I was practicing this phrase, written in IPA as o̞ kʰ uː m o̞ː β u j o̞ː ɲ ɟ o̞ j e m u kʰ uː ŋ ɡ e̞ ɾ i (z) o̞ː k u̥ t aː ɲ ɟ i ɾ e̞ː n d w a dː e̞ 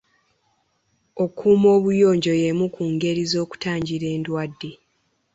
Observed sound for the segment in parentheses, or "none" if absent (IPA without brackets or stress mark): z